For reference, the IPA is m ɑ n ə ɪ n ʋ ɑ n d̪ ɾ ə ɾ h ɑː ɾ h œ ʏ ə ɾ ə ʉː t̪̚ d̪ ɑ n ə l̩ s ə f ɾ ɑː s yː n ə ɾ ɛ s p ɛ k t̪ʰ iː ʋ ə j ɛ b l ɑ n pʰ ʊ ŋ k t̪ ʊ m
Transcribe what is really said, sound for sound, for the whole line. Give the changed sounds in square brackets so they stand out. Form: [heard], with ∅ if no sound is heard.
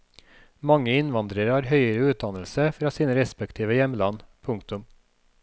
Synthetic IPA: m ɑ [ŋ] ə ɪ n ʋ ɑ n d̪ ɾ ə ɾ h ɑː ɾ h œ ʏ ə ɾ ə ʉː t̪̚ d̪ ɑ n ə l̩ s ə f ɾ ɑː s [iː] n ə ɾ ɛ s p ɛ k t̪ʰ iː ʋ ə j ɛ [m] l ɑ n pʰ ʊ ŋ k t̪ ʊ m